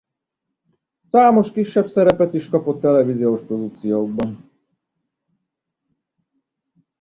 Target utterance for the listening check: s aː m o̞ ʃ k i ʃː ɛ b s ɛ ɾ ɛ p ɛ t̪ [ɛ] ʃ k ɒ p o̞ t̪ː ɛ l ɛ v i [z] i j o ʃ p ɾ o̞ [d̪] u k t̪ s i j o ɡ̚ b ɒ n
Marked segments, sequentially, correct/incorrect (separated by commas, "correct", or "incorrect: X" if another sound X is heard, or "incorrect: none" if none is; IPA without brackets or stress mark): incorrect: i, correct, correct